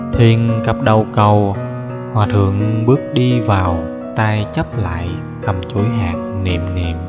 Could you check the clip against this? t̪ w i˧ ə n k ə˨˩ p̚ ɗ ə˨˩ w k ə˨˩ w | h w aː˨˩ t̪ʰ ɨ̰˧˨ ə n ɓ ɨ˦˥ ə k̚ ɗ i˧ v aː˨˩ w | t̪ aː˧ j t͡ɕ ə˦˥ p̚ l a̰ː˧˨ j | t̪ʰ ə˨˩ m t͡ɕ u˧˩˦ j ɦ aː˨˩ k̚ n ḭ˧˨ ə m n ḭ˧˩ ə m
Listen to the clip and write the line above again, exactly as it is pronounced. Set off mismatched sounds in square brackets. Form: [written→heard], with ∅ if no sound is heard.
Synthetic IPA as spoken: [t̪→t̪ʰ] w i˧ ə n k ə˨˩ p̚ ɗ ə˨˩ w k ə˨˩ w | h w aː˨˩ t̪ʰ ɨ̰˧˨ ə [n→ŋ] ɓ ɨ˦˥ ə k̚ ɗ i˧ v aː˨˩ w | t̪ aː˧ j t͡ɕ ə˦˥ p̚ l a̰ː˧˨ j | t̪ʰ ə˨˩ m t͡ɕ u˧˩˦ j ɦ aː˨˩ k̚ n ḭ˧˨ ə m n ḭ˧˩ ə m